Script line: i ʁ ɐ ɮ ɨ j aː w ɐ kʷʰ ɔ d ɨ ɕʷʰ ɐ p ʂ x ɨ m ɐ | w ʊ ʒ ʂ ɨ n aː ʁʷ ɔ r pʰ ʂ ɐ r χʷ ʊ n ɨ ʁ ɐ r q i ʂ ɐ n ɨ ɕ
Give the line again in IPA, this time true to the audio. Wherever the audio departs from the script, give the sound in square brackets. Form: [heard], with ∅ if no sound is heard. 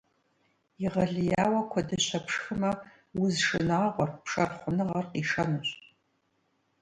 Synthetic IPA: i ʁ ɐ ɮ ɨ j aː w ɐ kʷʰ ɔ d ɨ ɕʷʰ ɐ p ʂ x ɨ m ɐ | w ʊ [z] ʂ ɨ n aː ʁʷ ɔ r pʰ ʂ ɐ r χʷ ʊ n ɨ ʁ ɐ r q i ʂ ɐ n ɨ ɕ